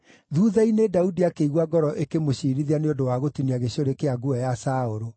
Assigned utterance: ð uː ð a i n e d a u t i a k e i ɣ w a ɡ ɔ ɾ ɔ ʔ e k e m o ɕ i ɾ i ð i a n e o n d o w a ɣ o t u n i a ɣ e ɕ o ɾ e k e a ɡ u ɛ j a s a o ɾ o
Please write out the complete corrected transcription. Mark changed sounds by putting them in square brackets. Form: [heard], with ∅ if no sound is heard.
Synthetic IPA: ð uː ð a i n e d a u [d] i a k e i ɣ w a ɡ ɔ ɾ ɔ ʔ e k e m o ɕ i ɾ i ð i a n e o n d o w a ɣ o t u n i a ɣ e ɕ o ɾ e k e a ɡ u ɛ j a s a o ɾ o